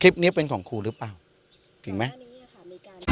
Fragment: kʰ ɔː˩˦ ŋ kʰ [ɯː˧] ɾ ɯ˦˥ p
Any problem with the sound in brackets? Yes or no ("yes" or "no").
yes